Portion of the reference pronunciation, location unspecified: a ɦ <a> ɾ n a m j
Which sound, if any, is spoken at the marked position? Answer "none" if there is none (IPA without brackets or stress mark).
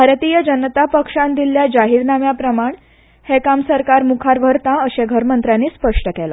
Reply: i